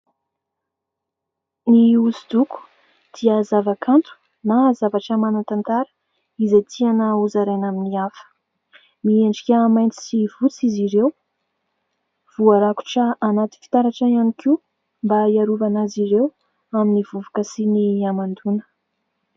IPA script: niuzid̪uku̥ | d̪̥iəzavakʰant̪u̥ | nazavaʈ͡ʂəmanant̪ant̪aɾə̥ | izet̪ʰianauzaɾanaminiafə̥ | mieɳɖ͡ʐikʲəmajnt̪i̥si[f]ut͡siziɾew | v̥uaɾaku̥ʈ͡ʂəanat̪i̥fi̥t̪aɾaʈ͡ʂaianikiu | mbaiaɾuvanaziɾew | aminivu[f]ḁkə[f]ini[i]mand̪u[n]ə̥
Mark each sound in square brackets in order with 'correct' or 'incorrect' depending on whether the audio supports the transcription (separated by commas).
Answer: incorrect, incorrect, incorrect, incorrect, correct